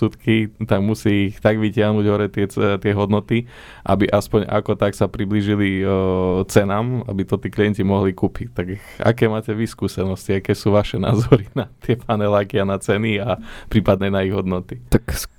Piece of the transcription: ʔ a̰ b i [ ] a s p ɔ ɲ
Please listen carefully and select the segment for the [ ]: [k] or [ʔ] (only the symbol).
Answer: ʔ